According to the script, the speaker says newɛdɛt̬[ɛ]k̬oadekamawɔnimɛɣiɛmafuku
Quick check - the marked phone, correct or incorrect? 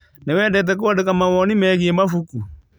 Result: correct